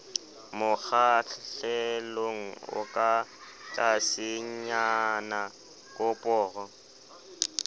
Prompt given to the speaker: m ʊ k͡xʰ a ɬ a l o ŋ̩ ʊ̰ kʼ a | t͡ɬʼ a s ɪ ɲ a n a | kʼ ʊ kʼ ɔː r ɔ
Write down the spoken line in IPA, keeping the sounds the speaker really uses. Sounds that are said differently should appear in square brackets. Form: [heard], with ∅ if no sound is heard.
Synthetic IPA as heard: m ʊ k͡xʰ a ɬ [ɛ] l o ŋ̩ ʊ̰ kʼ a | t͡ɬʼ a s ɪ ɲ a n a | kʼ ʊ [pʼ] ɔː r ɔ